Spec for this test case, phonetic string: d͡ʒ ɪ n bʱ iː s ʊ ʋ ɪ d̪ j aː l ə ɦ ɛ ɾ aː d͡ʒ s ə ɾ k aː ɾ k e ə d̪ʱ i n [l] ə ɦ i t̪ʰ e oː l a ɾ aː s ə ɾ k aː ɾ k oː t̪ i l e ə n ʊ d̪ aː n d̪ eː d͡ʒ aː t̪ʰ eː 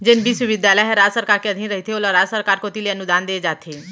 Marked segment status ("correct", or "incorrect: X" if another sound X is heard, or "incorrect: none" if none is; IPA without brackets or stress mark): incorrect: ɾ